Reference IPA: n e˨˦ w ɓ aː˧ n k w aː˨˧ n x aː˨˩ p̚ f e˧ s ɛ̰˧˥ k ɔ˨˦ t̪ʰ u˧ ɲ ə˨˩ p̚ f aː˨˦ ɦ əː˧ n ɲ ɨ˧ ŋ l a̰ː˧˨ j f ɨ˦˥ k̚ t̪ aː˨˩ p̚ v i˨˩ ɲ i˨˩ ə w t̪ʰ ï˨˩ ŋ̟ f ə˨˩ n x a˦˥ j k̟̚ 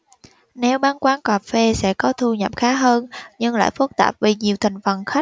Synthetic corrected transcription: n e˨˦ w ɓ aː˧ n k w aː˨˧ n k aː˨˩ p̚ f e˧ s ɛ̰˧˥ k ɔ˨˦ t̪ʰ u˧ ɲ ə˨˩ p̚ x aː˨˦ ɦ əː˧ n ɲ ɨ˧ ŋ l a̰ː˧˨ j f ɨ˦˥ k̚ t̪ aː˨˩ p̚ v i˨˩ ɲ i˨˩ ə w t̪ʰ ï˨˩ ŋ̟ f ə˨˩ n x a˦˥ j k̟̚